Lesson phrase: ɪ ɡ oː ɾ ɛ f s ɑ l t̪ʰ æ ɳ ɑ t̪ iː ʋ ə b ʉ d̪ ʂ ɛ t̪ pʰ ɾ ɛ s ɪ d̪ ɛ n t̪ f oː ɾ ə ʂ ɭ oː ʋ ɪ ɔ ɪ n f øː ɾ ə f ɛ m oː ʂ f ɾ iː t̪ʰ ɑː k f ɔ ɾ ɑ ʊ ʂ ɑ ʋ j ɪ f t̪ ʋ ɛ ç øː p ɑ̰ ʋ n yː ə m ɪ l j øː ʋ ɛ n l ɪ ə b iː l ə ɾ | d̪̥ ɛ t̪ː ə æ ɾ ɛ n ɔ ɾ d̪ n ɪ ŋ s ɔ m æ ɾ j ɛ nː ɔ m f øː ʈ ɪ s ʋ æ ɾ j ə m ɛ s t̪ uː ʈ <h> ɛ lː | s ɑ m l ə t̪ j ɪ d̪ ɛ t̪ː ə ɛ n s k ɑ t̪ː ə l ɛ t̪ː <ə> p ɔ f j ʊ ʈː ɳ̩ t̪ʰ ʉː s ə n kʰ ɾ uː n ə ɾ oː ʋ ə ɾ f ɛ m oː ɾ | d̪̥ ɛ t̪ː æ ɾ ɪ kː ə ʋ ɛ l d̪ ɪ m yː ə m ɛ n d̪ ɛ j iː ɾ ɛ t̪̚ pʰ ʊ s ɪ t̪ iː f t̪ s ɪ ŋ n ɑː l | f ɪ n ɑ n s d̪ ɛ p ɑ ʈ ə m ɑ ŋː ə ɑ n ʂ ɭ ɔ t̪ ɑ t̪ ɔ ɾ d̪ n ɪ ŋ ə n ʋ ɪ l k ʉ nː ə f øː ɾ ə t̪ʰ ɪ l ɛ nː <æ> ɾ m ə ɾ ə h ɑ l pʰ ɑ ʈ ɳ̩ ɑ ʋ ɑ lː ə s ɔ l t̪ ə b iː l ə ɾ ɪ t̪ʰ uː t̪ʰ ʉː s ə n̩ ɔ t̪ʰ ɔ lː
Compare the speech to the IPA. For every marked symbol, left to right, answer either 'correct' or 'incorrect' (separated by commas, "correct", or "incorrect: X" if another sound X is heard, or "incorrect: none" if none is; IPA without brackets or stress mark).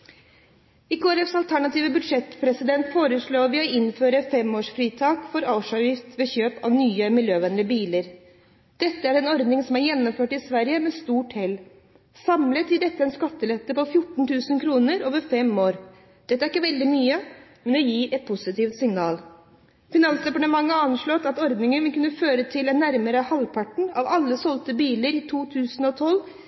correct, correct, correct